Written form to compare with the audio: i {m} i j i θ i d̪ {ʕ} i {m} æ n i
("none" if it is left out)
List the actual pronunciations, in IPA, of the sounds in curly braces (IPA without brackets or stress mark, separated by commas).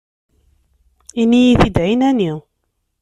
n, ʕ, n